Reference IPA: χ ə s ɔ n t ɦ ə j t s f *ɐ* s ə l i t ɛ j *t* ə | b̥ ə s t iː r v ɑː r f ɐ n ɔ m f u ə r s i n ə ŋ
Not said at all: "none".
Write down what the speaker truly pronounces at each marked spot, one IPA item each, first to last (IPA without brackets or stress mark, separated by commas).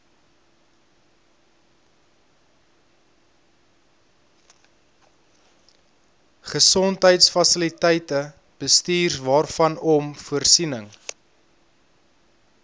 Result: ɐ, t